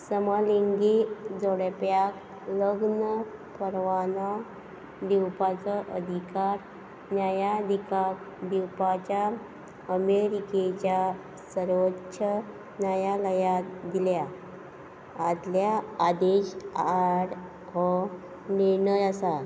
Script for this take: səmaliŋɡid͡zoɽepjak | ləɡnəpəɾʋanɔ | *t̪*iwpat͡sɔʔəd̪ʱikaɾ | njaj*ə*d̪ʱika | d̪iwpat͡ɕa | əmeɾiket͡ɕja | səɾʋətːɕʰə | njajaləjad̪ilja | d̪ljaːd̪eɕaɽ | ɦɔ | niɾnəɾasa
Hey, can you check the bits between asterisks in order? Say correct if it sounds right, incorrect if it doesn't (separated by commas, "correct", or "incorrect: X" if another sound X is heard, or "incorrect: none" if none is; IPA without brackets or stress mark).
incorrect: d̪, incorrect: a